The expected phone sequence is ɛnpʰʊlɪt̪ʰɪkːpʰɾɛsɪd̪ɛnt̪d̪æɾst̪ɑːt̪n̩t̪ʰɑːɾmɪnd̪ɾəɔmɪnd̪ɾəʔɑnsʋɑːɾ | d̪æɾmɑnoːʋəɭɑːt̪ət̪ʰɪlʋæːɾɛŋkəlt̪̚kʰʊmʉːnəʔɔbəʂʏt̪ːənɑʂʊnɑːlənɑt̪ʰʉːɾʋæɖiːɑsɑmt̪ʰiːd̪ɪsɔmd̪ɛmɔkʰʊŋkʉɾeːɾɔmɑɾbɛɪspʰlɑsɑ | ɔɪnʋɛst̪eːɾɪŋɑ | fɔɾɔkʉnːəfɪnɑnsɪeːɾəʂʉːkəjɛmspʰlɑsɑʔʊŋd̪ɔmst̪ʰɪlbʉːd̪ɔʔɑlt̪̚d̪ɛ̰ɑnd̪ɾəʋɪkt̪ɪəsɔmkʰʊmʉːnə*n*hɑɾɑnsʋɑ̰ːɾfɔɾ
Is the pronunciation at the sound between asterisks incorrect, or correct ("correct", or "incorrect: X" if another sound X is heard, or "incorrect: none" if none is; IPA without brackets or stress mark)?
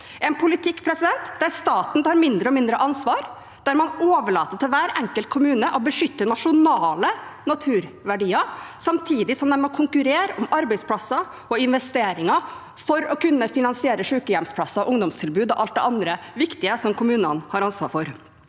correct